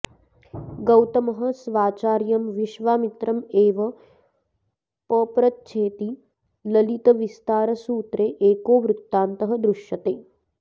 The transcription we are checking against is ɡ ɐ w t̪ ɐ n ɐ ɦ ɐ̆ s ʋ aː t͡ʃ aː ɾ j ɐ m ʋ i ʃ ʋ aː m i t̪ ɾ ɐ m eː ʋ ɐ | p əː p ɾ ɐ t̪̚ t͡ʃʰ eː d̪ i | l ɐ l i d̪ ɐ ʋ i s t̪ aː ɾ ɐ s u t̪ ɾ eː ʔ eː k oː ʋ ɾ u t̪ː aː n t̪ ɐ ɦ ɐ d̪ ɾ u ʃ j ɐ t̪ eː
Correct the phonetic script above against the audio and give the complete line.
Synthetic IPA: ɡ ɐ w t̪ ɐ m ɐ ɦ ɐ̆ s ʋ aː t͡ʃ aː ɾ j ɐ m ʋ i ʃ ʋ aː m i t̪ ɾ ɐ m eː ʋ ɐ | p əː p ɾ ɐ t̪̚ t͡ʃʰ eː t̪ i | l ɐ l i t̪ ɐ ʋ i s t̪ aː ɾ ɐ s uː t̪ ɾ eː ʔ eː k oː ʋ ɾ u t̪ː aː n t̪ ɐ ɦ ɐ d̪ ɾ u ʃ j ɐ t̪ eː